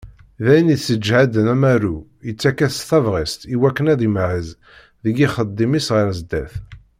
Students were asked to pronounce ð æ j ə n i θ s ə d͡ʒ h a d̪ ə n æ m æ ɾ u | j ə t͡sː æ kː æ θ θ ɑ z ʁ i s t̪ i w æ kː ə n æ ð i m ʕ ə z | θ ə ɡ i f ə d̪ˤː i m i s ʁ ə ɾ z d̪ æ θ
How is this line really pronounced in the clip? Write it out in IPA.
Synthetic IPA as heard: ð æ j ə n i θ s ə d͡ʒ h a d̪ ə n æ m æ ɾ u | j ə t͡sː æ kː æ θ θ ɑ v ʁ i s t̪ i w æ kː ə n æ ð i m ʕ ə z | ð ə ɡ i χ ə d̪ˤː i m i s ʁ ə ɾ z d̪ æ θ